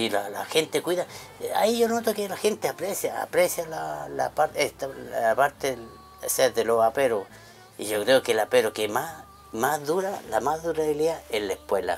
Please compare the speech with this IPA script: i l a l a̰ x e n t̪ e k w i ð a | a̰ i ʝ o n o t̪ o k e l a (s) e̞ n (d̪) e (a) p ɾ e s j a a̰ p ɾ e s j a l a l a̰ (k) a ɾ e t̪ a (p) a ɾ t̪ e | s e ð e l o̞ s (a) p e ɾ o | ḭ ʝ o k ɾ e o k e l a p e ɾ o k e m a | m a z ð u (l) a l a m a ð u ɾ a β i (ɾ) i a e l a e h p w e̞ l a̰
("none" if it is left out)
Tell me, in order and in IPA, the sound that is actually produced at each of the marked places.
x, t̪, a, p, p, a, ɾ, l

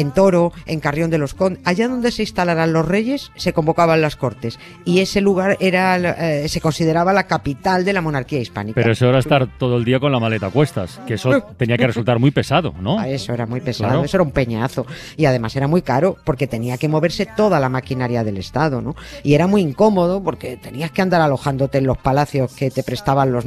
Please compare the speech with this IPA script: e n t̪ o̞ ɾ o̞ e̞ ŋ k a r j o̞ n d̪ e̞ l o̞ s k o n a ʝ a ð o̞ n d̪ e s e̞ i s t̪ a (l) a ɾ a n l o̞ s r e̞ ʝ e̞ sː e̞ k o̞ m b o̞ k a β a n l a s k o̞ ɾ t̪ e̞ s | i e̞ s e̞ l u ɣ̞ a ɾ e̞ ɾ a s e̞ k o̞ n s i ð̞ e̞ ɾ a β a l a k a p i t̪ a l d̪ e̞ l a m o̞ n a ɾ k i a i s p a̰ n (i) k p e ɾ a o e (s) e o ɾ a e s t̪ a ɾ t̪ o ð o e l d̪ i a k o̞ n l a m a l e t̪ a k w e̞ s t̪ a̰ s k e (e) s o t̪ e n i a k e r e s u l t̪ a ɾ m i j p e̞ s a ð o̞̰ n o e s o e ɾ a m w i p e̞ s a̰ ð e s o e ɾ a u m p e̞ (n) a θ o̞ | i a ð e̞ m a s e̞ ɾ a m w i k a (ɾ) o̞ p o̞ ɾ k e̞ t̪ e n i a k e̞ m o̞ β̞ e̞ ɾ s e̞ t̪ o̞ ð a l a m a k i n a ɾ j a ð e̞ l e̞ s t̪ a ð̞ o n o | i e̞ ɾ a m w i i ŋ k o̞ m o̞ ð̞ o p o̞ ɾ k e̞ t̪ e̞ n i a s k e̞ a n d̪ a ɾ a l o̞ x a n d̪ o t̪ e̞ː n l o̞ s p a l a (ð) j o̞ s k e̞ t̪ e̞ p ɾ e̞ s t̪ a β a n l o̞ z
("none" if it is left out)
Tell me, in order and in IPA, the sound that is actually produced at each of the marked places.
l, i, s, e, ɲ, ɾ, θ

